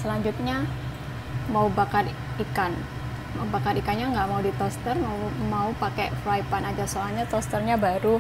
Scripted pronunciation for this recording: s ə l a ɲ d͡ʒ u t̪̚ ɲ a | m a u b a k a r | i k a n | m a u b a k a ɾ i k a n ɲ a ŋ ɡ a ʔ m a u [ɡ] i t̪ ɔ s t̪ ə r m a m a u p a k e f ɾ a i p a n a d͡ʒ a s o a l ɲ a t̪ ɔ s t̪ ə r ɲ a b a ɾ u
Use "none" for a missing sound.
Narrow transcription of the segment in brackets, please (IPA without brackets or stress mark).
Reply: d